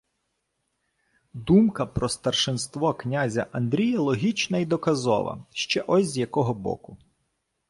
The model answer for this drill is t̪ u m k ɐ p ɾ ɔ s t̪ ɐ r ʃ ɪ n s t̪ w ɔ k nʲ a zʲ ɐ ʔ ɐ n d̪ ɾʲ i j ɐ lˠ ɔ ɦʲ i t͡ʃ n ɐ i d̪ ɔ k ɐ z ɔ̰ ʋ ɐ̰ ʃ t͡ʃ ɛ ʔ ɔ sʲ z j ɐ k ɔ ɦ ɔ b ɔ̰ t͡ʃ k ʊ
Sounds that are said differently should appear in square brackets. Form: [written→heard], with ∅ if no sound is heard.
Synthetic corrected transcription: [t̪→d̪] u m k ɐ p ɾ ɔ s t̪ ɐ r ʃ ɪ n s t̪ [w→ʋ] ɔ k nʲ a zʲ ɐ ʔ ɐ n d̪ ɾʲ i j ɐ lˠ ɔ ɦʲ i t͡ʃ n ɐ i d̪ ɔ k ɐ z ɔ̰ ʋ ɐ̰ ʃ t͡ʃ ɛ ʔ ɔ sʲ z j ɐ k ɔ ɦ ɔ b ɔ̰ [t͡ʃ→∅] k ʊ